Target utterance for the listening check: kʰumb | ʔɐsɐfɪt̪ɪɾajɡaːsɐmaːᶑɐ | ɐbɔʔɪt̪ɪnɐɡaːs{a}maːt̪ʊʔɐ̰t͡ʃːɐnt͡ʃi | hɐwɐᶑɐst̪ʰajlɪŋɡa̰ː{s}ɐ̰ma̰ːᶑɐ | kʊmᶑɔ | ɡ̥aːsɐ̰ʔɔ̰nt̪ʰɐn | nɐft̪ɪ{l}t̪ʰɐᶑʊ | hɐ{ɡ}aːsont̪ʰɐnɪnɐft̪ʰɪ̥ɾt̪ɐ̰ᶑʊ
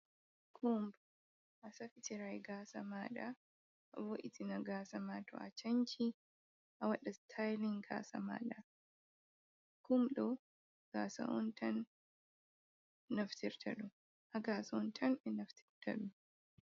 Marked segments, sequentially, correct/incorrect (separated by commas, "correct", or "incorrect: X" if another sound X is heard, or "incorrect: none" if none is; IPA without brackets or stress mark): incorrect: ɐ, correct, incorrect: ɾ, correct